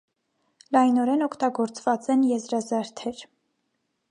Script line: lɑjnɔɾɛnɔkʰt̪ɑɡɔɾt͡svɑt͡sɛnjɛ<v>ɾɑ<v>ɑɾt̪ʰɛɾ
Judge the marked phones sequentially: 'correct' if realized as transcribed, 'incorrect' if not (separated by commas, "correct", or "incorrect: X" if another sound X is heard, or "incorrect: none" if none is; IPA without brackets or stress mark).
incorrect: z, incorrect: z